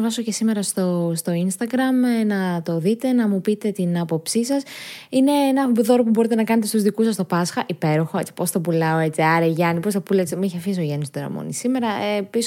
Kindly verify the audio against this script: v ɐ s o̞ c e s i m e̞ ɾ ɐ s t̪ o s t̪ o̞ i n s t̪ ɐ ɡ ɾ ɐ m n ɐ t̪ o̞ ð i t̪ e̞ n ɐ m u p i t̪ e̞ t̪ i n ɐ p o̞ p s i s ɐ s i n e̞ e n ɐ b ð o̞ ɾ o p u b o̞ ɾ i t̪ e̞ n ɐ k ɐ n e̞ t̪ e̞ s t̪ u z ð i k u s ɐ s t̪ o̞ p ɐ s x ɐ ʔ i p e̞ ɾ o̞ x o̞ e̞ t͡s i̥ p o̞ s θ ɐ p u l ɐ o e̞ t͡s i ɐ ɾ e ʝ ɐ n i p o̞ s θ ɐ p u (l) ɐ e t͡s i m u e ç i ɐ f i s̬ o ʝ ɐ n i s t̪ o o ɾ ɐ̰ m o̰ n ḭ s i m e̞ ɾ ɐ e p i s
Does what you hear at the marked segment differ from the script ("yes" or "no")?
no